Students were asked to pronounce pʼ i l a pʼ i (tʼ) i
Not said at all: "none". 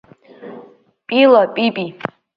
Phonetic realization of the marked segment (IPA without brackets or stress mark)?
pʼ